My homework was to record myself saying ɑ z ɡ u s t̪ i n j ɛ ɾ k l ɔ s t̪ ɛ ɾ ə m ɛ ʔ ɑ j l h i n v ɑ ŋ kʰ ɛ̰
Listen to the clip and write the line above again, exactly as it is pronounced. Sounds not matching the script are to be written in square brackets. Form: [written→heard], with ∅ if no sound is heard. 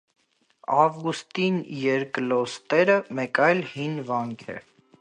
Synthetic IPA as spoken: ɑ [z→v] ɡ u s t̪ i n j ɛ ɾ k l ɔ s t̪ ɛ ɾ ə m ɛ [ʔ→k] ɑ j l h i n v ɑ ŋ kʰ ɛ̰